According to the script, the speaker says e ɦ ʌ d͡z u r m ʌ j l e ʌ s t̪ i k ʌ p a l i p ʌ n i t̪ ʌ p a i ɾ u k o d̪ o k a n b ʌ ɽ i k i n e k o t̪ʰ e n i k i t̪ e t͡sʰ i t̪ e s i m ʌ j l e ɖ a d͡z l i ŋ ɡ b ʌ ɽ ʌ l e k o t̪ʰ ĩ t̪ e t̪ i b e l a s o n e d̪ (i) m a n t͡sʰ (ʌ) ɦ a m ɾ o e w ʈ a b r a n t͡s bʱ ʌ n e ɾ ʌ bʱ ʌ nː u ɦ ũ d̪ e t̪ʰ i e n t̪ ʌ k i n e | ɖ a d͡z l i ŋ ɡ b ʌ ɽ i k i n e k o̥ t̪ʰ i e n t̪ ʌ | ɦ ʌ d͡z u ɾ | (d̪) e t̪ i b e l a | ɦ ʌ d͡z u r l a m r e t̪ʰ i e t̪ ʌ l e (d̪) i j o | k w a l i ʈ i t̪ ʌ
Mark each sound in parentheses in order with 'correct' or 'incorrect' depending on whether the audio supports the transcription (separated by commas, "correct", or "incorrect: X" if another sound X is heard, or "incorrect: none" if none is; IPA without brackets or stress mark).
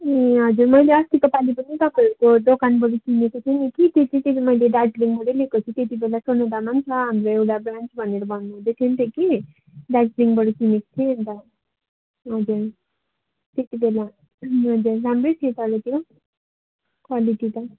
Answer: incorrect: a, correct, incorrect: t̪, incorrect: t̪